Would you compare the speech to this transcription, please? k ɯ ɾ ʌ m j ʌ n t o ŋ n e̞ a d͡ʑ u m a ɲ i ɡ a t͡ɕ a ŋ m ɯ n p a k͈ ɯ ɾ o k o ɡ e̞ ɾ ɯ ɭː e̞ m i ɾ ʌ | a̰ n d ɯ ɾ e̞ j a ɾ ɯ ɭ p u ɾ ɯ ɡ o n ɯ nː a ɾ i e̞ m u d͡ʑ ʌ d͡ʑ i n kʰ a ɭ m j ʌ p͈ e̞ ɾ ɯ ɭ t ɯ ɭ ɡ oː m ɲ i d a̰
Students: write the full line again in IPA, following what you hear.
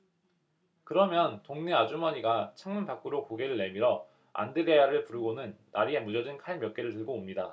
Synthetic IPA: k ɯ ɾ ʌ m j ʌ n t o ŋ n e̞ a d͡ʑ u m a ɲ i ɡ a t͡ɕʰ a ŋ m ɯ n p a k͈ ɯ ɾ o k o ɡ e̞ ɾ ɯ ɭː e̞ m i ɾ ʌ | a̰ n d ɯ ɾ e̞ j a ɾ ɯ ɭ p u ɾ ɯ ɡ o n ɯ nː a ɾ i e̞ m u d͡ʑ ʌ d͡ʑ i n kʰ a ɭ m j ʌ k͈ e̞ ɾ ɯ ɭ t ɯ ɭ ɡ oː m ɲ i d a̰